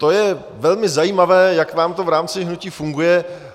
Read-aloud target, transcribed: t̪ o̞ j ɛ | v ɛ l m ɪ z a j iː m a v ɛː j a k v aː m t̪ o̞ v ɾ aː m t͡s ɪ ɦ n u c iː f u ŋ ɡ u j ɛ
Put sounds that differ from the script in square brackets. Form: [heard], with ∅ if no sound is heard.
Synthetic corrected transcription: t̪ o̞ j ɛ | v ɛ l m ɪ z a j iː m a v ɛː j a k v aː m t̪ o̞ v ɾ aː m t͡s ɪ ɦ n u c iː f u ŋ ɡ u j ɛ